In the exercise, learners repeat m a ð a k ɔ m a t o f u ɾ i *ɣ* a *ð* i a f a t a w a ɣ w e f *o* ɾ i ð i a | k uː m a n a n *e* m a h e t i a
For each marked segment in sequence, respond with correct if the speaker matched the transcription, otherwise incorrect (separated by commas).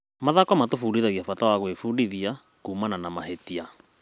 incorrect, incorrect, incorrect, incorrect